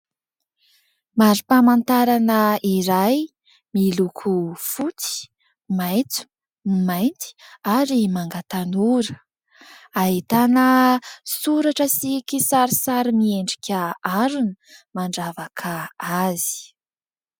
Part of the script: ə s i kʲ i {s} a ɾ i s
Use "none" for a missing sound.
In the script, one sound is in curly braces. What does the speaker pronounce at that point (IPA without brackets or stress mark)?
s